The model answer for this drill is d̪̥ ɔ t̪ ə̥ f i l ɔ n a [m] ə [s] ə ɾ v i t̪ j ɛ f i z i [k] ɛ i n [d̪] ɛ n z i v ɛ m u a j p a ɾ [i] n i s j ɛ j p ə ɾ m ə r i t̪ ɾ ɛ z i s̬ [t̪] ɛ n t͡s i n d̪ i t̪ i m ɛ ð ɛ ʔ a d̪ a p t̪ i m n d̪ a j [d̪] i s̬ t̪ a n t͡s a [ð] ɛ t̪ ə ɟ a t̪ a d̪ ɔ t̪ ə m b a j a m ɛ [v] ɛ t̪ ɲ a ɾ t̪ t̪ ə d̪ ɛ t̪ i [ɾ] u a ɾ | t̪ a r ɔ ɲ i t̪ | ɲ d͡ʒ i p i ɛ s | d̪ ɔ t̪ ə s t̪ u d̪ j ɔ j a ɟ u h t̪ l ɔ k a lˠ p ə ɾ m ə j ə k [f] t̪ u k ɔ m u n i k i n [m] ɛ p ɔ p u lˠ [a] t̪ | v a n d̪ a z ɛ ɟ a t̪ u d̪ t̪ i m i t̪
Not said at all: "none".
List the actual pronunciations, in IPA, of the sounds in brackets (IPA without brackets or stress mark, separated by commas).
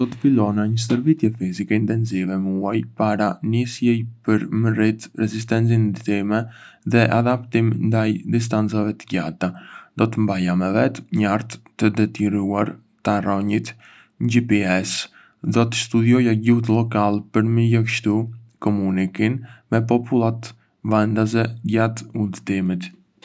ɲ, s, k, t̪, a, t̪, d̪, v, v, ɾ, ʃ, m, a